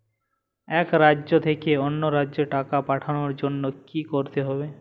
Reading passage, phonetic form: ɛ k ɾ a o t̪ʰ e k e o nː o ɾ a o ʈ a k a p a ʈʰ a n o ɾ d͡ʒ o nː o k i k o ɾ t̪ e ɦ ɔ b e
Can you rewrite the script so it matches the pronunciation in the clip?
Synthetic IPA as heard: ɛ k ɾ a o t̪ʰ e k e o nː o ɾ a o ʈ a k a p a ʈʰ a n o ɾ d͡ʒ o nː o k i k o ɾ t̪ e ɦ ɔ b e